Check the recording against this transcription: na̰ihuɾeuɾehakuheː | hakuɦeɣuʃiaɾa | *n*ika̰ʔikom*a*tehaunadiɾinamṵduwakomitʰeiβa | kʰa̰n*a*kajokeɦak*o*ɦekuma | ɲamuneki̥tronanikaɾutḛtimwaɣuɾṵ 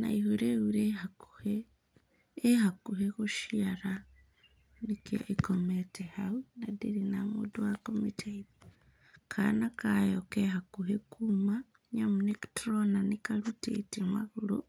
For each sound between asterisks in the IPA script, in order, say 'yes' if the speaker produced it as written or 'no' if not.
yes, no, yes, no

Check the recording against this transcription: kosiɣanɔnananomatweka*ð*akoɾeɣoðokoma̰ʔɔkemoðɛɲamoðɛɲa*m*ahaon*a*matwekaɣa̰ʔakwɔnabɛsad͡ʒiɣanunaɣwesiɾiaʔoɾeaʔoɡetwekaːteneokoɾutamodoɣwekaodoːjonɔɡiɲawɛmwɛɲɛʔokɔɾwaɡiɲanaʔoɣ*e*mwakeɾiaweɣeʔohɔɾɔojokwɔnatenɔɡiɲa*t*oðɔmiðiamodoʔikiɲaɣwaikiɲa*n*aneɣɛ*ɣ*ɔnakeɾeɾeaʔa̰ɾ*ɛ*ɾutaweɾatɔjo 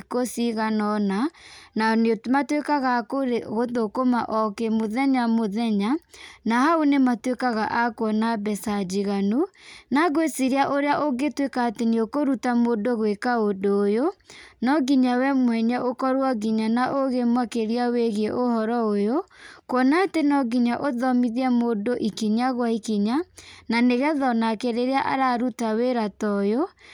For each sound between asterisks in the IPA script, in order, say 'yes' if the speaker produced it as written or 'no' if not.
no, no, no, yes, no, yes, no, no

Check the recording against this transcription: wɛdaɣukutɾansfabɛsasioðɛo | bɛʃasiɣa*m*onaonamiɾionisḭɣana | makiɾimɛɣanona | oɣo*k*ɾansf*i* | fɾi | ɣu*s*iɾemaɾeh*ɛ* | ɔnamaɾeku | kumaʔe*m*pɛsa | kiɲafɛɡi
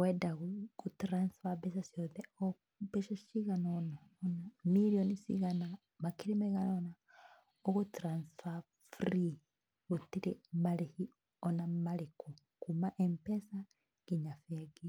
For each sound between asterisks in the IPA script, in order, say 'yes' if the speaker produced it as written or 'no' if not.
no, no, no, no, no, yes

